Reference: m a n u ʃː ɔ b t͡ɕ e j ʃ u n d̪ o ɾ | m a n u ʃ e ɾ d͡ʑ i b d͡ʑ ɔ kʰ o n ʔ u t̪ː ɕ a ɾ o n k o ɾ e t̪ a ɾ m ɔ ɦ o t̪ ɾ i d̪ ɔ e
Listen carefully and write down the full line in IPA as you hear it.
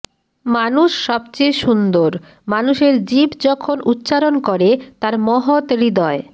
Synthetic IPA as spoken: m a n u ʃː ɔ b t͡ɕ e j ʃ u n d̪ o ɾ | m a n u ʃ e ɾ d͡ʑ i b d͡ʑ ɔ kʰ o n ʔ u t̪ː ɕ a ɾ o n k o ɾ e t̪ a ɾ m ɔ ɦ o t̪ ɾ i d̪ ɔ e